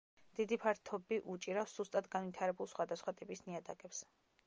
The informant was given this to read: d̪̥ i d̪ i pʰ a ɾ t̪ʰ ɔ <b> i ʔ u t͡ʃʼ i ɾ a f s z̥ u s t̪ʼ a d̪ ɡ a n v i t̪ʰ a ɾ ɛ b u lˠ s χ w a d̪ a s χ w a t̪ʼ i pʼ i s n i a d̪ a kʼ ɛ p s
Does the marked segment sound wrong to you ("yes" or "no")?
no